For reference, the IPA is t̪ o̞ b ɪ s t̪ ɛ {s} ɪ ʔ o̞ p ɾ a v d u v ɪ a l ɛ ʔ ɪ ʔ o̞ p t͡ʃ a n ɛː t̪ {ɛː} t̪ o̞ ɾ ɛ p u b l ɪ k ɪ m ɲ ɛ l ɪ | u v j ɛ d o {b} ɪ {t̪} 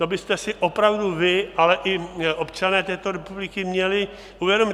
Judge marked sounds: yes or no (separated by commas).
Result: yes, yes, no, no